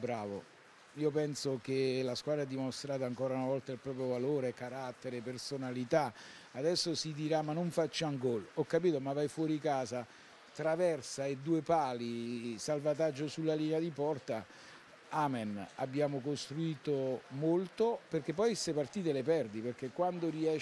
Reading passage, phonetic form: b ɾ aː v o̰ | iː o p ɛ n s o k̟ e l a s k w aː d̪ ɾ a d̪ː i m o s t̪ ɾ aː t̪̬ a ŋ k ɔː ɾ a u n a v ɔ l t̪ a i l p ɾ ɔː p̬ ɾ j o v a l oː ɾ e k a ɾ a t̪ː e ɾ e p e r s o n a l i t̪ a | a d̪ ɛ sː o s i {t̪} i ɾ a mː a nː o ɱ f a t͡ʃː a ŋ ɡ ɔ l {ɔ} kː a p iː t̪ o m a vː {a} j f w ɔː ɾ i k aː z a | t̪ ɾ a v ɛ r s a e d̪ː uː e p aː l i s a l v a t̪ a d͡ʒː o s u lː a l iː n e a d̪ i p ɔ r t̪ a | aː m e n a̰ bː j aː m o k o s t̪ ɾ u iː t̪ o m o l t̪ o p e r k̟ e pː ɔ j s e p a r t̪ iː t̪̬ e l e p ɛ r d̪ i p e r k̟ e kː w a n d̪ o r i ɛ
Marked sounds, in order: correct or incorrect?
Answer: incorrect, correct, correct

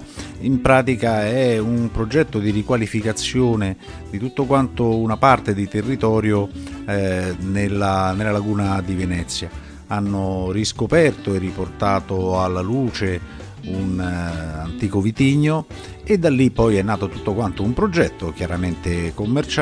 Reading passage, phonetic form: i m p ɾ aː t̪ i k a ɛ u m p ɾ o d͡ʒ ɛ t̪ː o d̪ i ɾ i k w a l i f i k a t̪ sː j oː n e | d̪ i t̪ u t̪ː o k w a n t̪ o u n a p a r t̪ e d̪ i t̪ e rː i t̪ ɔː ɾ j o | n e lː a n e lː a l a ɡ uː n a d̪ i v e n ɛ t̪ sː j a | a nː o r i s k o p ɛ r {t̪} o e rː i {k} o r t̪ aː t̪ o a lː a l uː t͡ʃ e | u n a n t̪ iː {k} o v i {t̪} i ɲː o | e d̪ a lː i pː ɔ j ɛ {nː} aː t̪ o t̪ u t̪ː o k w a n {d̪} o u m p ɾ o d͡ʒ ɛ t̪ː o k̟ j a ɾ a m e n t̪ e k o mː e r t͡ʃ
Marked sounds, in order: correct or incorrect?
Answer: correct, incorrect, correct, correct, correct, incorrect

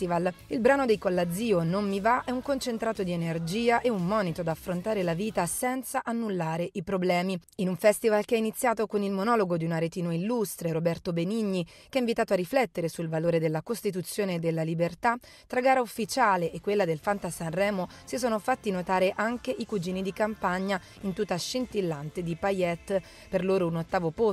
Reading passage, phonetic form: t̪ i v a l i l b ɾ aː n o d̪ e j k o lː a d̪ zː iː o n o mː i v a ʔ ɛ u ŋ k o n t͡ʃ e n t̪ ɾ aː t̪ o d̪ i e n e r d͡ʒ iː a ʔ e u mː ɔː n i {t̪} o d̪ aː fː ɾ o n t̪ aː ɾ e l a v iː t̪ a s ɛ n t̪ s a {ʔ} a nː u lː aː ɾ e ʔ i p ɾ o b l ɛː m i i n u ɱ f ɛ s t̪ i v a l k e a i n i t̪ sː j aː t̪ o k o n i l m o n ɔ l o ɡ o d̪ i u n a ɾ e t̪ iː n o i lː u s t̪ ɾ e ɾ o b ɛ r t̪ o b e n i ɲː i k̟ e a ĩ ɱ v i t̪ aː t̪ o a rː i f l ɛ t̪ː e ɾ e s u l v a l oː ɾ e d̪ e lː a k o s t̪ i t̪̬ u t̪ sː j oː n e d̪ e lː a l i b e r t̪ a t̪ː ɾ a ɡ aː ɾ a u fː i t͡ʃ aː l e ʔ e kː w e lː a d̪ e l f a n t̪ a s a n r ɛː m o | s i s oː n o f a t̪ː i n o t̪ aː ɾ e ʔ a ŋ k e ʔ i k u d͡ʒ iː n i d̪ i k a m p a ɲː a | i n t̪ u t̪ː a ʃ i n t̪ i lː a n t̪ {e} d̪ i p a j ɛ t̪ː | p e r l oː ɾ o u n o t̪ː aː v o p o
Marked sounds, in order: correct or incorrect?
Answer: correct, correct, correct

